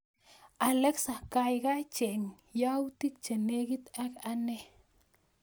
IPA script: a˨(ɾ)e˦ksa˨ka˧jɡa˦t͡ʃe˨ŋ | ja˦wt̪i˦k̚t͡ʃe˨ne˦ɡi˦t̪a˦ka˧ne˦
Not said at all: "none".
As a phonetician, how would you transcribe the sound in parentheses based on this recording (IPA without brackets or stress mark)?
l